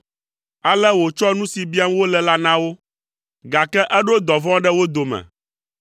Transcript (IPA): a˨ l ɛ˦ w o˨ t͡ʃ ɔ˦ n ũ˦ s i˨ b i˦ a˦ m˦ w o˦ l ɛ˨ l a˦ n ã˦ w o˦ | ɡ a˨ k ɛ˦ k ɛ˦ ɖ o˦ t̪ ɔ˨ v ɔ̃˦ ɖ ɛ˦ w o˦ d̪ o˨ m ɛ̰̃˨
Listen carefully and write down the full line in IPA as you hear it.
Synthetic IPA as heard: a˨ l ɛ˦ w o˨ t͡ʃ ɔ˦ n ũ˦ s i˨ b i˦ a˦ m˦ w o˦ l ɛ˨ l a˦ n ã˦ w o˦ | ɡ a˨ k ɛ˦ ʔ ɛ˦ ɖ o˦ d̪ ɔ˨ v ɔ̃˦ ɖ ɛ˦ w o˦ d̪ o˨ m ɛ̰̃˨